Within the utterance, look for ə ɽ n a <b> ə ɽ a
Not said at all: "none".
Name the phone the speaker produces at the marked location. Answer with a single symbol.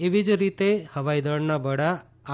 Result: b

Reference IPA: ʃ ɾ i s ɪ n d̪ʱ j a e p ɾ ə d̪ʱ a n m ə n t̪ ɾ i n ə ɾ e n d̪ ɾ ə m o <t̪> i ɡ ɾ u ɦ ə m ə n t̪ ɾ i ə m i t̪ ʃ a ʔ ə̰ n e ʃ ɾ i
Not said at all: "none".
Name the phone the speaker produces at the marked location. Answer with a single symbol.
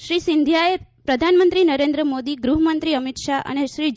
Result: d̪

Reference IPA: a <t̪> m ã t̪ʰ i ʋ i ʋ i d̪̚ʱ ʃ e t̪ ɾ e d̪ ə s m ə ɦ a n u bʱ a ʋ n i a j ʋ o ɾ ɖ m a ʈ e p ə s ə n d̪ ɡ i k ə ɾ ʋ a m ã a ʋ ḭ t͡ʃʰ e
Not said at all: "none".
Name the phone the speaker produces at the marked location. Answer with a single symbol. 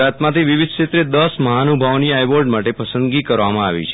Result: t̪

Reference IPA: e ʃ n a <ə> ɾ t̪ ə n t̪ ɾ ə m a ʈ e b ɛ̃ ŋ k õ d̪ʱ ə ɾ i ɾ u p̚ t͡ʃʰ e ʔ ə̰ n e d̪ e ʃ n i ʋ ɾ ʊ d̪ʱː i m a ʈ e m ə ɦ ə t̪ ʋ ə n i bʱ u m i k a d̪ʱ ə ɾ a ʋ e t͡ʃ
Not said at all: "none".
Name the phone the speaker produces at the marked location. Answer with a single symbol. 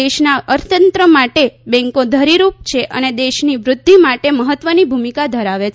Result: ə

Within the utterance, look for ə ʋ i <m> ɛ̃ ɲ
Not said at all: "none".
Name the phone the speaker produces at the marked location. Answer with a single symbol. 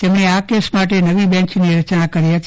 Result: b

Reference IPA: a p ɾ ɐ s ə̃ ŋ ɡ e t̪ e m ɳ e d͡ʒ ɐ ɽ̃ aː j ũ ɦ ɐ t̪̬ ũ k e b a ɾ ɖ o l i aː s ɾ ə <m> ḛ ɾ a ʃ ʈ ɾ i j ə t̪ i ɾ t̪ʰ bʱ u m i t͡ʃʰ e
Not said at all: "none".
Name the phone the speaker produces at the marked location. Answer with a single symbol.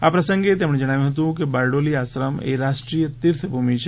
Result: m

